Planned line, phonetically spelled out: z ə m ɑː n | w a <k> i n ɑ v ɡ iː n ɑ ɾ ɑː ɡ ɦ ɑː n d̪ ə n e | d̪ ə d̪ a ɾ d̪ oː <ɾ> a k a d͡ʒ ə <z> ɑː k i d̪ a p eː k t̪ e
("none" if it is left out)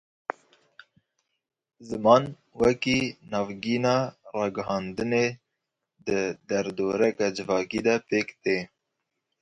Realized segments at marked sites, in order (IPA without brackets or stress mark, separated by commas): k, ɾ, v